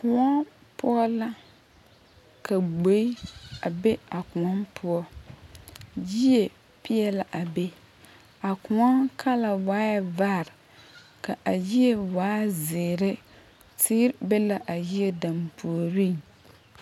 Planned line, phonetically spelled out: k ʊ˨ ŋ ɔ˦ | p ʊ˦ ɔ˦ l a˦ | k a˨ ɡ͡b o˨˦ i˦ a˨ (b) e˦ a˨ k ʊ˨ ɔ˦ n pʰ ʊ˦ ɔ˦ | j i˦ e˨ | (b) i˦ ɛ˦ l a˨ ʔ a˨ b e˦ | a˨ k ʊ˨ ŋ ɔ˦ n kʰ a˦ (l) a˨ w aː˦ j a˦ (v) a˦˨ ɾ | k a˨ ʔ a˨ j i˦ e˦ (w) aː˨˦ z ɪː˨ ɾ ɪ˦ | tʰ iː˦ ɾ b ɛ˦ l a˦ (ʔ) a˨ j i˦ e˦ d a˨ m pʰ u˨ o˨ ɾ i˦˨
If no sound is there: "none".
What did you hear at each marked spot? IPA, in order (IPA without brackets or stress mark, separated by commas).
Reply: b, p, l, v, w, ʔ